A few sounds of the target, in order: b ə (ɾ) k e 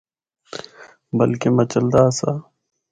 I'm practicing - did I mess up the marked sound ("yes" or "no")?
yes